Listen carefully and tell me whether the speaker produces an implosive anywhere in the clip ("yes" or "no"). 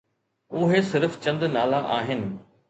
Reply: no